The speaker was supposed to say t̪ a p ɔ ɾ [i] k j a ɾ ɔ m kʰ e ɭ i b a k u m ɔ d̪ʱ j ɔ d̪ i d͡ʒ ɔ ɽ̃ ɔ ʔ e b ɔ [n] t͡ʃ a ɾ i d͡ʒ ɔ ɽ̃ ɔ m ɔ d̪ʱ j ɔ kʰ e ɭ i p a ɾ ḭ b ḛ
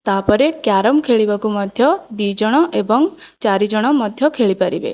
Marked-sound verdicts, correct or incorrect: incorrect, incorrect

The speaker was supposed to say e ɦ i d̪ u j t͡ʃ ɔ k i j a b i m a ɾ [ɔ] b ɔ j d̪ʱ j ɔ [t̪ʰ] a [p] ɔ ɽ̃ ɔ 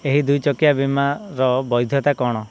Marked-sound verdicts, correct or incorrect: correct, incorrect, incorrect

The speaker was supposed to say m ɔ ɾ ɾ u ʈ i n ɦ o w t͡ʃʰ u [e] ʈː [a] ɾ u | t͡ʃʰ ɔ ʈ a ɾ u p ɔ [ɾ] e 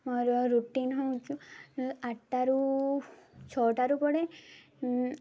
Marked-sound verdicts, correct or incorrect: incorrect, correct, incorrect

